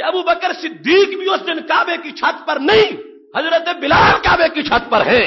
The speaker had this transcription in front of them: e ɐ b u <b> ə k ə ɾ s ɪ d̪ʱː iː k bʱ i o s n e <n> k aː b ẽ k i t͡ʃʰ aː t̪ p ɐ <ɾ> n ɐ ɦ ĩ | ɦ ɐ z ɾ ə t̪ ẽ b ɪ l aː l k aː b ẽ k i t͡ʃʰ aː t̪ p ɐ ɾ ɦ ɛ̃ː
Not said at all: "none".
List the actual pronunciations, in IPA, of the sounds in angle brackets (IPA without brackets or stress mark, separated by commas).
b, n, ɾ